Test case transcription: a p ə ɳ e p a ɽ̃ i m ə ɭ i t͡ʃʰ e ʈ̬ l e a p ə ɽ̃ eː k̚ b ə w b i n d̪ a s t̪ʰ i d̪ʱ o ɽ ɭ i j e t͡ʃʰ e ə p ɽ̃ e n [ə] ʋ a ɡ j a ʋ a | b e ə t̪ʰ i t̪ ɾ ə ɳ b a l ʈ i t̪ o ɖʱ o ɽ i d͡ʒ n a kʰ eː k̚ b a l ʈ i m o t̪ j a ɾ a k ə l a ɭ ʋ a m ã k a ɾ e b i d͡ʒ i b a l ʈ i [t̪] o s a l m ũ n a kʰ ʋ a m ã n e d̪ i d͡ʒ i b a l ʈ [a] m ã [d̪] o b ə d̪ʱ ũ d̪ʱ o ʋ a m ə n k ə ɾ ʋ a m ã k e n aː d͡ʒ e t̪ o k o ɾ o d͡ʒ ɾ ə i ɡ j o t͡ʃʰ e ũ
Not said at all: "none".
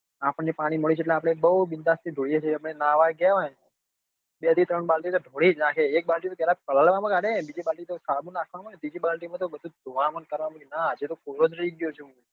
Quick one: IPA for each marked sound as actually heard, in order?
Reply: a, t̪, i, t̪

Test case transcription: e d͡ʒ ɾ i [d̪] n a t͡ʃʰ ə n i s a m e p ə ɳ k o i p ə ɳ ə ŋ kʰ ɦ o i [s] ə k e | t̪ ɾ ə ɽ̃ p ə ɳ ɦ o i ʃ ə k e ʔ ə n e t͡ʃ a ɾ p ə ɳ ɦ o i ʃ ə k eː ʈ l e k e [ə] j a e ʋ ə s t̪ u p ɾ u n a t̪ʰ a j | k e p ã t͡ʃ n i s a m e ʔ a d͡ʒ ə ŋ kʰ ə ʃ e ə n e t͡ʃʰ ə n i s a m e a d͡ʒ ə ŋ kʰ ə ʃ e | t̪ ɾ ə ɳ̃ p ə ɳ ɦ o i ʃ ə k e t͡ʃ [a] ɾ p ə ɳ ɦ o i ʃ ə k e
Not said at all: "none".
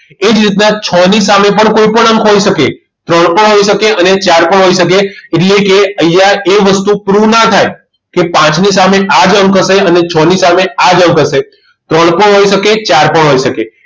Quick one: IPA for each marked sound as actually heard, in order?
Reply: t̪, ʃ, ə, a

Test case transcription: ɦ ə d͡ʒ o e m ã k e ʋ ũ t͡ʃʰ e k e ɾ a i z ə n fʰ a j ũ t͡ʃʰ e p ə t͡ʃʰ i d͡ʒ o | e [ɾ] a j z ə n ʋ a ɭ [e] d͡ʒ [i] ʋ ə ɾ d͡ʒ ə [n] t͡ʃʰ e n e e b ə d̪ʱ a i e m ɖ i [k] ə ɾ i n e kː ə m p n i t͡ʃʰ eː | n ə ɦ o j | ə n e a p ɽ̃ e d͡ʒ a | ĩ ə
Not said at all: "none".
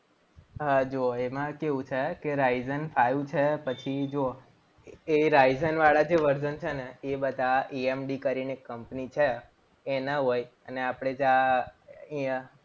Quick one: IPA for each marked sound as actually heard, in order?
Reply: ɾ, a, e, n, k

